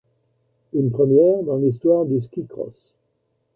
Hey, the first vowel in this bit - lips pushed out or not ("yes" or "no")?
yes